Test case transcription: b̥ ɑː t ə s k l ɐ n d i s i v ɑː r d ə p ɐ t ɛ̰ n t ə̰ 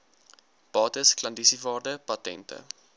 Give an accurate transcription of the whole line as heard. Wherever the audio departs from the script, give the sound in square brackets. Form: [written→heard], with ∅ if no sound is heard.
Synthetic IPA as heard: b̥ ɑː t ə s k l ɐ n d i s i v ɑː r d ə p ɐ t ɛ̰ n t ə̰